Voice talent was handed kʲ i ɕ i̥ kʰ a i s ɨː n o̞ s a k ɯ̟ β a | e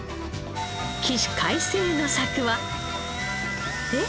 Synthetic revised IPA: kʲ i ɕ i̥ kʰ a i s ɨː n o̞ s a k ɯ̟ β a | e